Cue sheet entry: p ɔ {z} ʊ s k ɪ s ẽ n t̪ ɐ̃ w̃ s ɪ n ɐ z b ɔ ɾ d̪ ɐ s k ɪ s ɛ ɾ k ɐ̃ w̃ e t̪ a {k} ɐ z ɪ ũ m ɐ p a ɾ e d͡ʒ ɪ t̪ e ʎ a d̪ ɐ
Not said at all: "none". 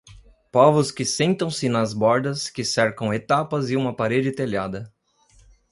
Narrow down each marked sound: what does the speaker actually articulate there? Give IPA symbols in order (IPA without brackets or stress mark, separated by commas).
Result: v, p